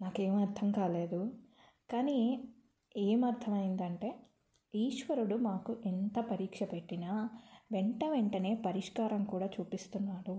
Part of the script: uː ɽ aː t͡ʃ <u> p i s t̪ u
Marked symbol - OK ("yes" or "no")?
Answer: no